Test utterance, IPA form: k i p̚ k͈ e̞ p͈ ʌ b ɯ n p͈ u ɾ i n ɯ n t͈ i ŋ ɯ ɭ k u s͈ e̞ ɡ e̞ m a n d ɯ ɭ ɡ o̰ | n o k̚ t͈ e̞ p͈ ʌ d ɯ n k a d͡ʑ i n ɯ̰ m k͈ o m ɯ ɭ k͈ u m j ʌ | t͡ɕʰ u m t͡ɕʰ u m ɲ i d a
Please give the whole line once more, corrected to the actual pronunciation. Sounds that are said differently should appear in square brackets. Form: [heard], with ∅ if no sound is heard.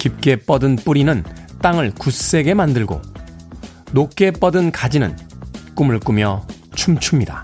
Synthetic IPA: k i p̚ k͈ e̞ p͈ ʌ [d] ɯ n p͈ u ɾ i n ɯ n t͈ [a] ŋ ɯ ɭ k u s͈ e̞ ɡ e̞ m a n d ɯ ɭ ɡ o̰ | n o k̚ [k͈] e̞ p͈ ʌ d ɯ n k a d͡ʑ i n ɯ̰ [n] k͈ [u] m ɯ ɭ k͈ u m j ʌ | t͡ɕʰ u m t͡ɕʰ u m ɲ i d a